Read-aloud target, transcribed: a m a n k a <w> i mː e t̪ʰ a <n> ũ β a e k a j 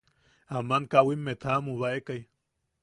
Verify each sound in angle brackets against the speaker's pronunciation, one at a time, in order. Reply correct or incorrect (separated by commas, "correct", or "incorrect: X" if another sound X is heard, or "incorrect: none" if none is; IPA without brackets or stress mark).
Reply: correct, incorrect: m